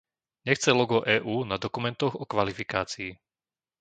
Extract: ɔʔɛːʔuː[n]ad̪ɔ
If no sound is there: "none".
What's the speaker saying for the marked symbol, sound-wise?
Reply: n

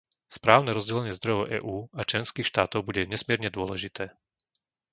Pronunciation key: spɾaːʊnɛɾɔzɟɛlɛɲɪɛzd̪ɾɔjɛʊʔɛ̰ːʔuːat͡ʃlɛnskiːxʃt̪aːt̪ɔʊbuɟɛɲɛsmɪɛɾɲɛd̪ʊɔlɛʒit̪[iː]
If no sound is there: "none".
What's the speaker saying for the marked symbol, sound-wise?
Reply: ɛː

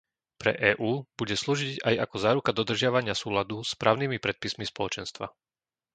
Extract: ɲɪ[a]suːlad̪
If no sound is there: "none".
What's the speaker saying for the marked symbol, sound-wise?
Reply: a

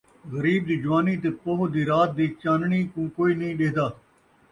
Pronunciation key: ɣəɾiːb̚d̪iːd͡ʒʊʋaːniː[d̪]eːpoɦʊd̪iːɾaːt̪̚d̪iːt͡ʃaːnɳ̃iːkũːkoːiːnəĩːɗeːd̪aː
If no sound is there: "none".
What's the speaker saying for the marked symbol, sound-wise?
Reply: t̪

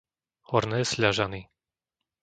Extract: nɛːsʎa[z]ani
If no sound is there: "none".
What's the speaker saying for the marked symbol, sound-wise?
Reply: ʒ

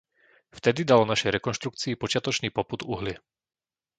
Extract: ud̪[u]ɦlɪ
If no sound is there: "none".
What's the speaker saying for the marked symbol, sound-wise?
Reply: u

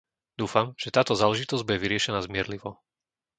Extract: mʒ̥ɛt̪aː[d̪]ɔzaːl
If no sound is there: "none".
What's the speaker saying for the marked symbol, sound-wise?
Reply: t̪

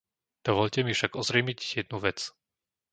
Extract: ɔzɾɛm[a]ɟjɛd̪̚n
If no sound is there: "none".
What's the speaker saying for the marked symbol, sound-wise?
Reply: i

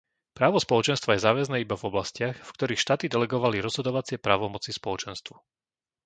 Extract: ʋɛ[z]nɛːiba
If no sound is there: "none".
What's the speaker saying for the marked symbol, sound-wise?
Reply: z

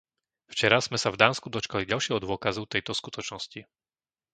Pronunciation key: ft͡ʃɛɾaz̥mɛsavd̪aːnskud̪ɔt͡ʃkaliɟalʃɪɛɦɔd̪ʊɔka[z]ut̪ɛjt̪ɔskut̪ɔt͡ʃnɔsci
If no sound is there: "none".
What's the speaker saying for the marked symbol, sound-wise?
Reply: z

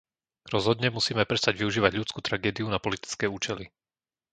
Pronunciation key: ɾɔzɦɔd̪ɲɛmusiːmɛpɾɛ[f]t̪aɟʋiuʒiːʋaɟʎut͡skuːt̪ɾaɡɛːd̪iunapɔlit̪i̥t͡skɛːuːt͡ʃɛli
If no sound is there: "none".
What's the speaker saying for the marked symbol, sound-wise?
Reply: s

